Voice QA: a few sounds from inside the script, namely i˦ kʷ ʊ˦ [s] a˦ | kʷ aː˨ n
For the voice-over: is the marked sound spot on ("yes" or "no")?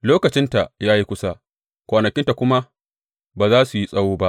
yes